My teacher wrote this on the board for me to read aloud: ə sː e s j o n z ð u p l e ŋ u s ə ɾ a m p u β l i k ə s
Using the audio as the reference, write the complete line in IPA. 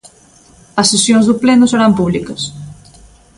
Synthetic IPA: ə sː e s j o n z ð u p l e n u s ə ɾ a m p u β l i k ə s